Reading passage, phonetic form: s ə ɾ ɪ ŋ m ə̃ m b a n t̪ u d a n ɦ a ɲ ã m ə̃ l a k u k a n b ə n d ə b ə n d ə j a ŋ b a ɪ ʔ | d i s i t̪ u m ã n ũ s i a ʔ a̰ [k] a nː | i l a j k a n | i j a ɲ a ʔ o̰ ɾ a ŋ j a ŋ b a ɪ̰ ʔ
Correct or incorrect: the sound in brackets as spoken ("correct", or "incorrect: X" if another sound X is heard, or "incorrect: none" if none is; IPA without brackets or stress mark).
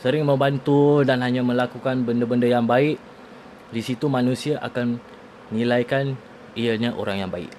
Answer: correct